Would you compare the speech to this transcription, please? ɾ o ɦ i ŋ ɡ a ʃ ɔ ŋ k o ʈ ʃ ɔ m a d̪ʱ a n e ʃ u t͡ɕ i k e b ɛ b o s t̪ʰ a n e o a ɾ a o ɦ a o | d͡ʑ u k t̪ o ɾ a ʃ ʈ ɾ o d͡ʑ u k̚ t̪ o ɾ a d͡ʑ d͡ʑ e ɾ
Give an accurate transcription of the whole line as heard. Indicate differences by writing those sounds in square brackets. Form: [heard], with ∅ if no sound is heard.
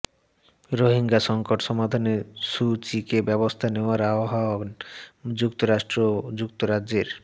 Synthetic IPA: ɾ o ɦ i ŋ ɡ a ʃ ɔ ŋ k o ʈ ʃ ɔ m a d̪ʱ a n e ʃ u t͡ɕ i k e b ɛ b o s t̪ʰ a n e o a ɾ a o ɦ a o | d͡ʑ u k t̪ o ɾ a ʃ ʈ ɾ o d͡ʑ u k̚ t̪ o ɾ a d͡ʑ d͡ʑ e ɾ